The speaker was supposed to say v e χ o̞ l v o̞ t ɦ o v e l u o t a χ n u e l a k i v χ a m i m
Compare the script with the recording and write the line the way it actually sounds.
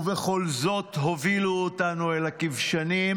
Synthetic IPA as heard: v e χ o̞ l z o̞ t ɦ o v i l u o t a n u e l a k i v ʃ a n i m